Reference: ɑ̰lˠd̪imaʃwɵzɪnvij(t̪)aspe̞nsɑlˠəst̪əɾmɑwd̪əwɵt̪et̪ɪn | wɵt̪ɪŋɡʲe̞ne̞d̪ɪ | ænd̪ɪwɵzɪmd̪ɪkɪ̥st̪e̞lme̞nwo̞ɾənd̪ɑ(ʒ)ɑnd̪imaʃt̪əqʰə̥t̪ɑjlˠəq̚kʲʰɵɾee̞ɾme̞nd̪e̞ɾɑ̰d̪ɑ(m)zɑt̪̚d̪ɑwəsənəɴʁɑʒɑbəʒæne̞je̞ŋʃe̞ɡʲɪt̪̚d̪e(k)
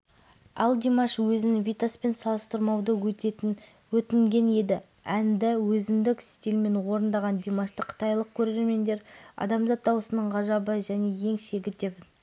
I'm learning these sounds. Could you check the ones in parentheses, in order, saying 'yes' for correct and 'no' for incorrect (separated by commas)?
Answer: yes, no, yes, no